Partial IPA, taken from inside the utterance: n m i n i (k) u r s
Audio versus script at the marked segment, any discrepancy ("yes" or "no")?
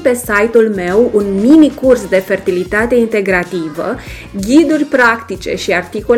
no